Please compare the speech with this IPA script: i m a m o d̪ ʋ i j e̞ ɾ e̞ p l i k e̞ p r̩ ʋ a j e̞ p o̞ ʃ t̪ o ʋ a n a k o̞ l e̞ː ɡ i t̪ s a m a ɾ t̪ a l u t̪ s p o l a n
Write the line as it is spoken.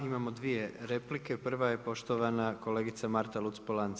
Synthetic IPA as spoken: i m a m o d̪ ʋ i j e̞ ɾ e̞ p l i k e̞ p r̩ ʋ a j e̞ p o̞ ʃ t̪ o ʋ a n a k o̞ l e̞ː ɡ i t̪ s a m a ɾ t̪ a l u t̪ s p o l a n

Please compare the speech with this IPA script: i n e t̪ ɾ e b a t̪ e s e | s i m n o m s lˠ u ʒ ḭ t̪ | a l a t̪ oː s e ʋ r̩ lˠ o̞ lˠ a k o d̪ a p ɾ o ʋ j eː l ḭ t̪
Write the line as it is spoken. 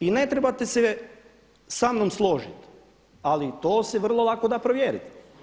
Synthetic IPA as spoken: i n e t̪ ɾ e b a t̪ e s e | s a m n o m s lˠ o ʒ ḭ t̪ | a l i t̪ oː s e ʋ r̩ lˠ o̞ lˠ a k o d̪ a p ɾ o ʋ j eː ɾ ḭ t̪

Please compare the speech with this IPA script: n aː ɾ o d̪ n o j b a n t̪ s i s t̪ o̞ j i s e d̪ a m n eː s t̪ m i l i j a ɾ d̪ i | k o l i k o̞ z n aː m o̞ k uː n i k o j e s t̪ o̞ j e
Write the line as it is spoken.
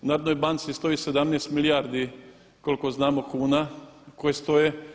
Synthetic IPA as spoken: n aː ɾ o d̪ n o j b a n t̪ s i s t̪ o̞ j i s e d̪ a m n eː s t̪ m i l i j a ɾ d̪ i | k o l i k o̞ z n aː m o̞ k uː n a k o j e s t̪ o̞ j e

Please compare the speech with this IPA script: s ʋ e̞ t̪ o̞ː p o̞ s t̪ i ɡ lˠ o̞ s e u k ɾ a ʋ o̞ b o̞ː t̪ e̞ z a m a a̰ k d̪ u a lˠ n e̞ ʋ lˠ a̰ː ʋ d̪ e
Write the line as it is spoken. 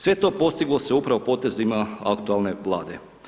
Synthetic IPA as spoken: s ʋ e̞ t̪ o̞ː p o̞ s t̪ i ɡ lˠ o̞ s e u p ɾ a ʋ o̞ p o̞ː t̪ e̞ z i m a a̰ k t̪ u a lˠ n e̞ ʋ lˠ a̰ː d̪ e

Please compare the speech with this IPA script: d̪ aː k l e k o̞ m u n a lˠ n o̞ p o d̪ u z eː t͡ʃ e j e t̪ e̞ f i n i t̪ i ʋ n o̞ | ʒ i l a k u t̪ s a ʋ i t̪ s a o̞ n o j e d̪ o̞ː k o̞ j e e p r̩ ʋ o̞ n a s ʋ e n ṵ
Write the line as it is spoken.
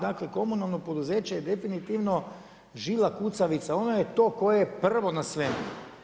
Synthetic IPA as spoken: d̪ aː k l e k o̞ m u n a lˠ n o̞ p o d̪ u z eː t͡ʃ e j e d̪ e̞ f i n i t̪ i ʋ n o̞ | ʒ i l a k u t̪ s a ʋ i t̪ s a o̞ n o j e t̪ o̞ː k o̞ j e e p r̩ ʋ o̞ n a s ʋ e m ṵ

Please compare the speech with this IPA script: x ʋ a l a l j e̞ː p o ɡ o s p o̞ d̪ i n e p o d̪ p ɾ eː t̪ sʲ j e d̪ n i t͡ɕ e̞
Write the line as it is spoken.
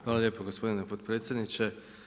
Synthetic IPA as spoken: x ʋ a l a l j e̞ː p o ɡ o s p o̞ d̪ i n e p o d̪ p ɾ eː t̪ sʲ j e d̪ n i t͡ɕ e̞

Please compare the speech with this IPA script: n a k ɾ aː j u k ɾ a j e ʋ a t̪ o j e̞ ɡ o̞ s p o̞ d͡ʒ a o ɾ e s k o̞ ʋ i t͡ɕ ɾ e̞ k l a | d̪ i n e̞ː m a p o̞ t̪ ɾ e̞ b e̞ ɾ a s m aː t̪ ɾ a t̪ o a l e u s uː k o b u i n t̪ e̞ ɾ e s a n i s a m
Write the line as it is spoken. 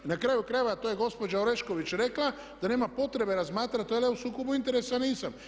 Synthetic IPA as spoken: n a k ɾ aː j u k ɾ a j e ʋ a t̪ o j e̞ ɡ o̞ s p o̞ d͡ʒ a o ɾ e ʃ k o̞ ʋ i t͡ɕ ɾ e̞ k l a | d̪ a n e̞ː m a p o̞ t̪ ɾ e̞ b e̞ ɾ a z m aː t̪ ɾ a t̪ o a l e u s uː k o b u i n t̪ e̞ ɾ e s a n iː s a m

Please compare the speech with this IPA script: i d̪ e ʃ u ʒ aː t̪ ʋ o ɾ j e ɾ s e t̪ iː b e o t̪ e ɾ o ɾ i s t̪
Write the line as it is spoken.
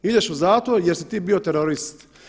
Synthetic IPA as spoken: i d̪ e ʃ u z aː t̪ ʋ o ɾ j e ɾ s i t̪ iː b i o t̪ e ɾ o ɾ i s t̪

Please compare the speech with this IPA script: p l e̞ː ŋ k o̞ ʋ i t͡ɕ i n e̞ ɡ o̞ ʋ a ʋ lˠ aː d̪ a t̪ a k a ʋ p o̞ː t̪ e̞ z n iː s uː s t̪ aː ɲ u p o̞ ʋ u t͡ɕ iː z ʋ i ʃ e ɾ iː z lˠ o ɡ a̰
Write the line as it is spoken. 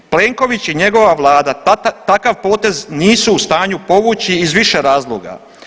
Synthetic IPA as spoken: p l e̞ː ŋ k o̞ ʋ i t͡ɕ i ɲ e̞ ɡ o̞ ʋ a ʋ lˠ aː d̪ a t̪ a k a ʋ p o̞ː t̪ e̞ z n iː s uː s t̪ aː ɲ u p o̞ ʋ u t͡ɕ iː z ʋ i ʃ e ɾ aː z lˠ o ɡ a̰

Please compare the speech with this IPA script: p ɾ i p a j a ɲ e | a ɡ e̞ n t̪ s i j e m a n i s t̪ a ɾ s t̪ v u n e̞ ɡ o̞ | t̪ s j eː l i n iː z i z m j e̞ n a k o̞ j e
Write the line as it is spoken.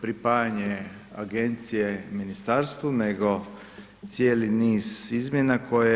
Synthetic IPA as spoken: p ɾ i p a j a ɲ e | a ɡ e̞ n t̪ s i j e m i n i s t̪ a ɾ s t̪ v u n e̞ ɡ o̞ | t̪ s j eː l i n iː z i z m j e̞ n a k o̞ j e

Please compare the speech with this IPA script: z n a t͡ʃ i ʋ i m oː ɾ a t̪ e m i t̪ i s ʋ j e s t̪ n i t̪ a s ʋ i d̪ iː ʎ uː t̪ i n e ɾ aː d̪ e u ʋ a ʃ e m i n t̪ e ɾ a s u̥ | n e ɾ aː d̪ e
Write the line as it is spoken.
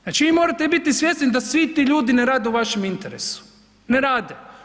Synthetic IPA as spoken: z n a t͡ʃ i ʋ i m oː ɾ a t̪ e b i t̪ i s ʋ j e s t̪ n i d̪ a s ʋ i t̪ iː ʎ uː d̪ i n e ɾ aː d̪ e u ʋ a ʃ e m i n t̪ e ɾ e s u̥ | n e ɾ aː d̪ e

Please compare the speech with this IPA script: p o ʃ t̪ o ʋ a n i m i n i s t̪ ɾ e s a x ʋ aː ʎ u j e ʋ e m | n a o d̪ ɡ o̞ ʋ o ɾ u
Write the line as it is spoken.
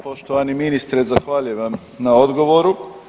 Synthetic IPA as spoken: p o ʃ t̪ o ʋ a n i m i n i s t̪ ɾ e z a x ʋ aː ʎ u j e ʋ a m | n a o d̪ ɡ o̞ ʋ o ɾ u

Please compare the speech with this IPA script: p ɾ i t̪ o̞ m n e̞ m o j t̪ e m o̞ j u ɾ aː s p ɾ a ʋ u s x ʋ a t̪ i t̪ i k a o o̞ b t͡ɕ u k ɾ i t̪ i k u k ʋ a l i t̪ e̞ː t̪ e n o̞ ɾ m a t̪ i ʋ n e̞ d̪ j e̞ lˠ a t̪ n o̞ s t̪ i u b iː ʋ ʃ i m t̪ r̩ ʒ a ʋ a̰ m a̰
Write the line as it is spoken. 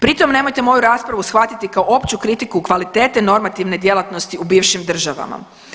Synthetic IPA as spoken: p ɾ i t̪ o̞ m n e̞ m o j t̪ e m o̞ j u ɾ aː s p ɾ a ʋ u s x ʋ a t̪ i t̪ i k a o o̞ p t͡ɕ u k ɾ i t̪ i k u k ʋ a l i t̪ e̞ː t̪ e n o̞ ɾ m a t̪ i ʋ n e̞ d̪ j e̞ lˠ a t̪ n o̞ s t̪ i u b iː ʋ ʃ i m d̪ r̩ ʒ a ʋ a̰ m a̰

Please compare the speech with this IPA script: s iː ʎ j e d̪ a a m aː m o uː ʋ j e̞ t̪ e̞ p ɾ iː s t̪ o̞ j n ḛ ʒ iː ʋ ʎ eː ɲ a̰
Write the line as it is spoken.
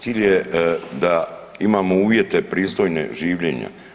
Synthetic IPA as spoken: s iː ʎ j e d̪ a i m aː m o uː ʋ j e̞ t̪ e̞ p ɾ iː s t̪ o̞ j n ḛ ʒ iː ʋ ʎ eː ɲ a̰

